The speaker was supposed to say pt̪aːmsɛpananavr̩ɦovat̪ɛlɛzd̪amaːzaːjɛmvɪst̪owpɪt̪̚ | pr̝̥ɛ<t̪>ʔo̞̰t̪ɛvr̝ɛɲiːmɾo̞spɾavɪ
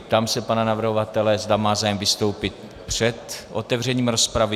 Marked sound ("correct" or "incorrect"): correct